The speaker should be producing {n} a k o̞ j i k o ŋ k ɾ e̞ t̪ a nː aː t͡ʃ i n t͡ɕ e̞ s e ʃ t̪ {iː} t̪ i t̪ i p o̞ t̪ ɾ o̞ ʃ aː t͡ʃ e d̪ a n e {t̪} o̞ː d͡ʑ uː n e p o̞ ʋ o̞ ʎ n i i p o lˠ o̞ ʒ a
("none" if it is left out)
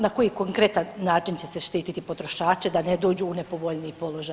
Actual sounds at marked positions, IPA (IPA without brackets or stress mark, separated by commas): n, iː, d̪